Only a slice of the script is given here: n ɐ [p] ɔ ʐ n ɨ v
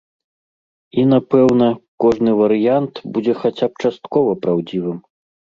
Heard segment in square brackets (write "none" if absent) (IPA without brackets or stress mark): k